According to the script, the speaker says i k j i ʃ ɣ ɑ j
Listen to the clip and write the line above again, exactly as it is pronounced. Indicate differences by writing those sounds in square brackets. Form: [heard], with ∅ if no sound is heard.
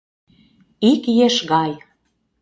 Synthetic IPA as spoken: i k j [e] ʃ ɣ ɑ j